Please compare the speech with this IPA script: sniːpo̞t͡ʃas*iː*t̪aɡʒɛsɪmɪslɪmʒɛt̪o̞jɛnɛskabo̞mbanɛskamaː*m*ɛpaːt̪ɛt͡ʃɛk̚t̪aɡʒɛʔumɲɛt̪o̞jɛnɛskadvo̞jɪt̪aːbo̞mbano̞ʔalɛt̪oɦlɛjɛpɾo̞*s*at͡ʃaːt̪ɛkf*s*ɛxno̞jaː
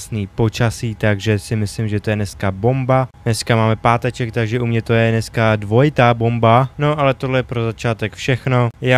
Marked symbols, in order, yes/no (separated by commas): yes, yes, no, no